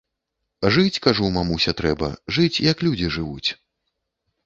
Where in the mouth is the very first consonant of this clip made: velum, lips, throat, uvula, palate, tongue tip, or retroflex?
retroflex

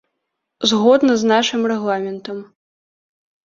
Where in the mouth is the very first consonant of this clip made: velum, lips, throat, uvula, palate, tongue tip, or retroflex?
tongue tip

